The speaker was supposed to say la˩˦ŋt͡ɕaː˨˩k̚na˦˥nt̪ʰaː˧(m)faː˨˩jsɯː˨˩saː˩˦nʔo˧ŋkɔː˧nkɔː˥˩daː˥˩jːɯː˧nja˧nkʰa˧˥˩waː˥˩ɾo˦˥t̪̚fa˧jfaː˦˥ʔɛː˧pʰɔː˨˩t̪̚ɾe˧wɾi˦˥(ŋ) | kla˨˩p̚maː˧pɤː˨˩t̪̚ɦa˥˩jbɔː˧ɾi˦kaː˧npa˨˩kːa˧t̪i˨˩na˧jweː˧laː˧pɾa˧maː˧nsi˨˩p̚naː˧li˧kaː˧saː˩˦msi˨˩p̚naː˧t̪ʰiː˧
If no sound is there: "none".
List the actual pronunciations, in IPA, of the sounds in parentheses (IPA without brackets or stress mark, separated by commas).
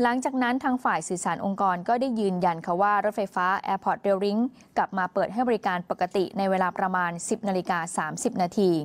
ŋ, ŋ